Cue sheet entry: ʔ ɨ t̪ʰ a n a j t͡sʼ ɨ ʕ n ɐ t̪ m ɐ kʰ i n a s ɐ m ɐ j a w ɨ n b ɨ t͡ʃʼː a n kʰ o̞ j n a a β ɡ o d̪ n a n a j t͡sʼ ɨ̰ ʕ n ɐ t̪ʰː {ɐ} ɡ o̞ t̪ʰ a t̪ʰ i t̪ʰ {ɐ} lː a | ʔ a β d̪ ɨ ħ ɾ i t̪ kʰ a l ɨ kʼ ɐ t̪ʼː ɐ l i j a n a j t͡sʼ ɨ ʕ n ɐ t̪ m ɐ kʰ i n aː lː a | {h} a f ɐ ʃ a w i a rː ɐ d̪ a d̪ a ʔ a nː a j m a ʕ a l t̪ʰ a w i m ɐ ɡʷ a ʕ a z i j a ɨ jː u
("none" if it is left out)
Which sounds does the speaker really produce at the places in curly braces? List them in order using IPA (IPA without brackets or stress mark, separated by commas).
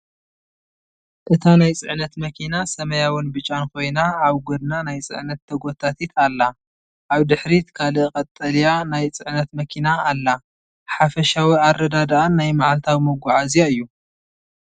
ɐ, a, ħ